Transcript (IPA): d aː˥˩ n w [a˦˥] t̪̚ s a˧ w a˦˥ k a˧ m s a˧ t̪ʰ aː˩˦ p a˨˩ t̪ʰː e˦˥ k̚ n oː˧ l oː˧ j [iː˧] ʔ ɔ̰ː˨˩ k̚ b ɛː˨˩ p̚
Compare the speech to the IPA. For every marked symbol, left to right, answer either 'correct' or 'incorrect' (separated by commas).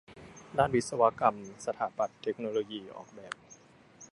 incorrect, correct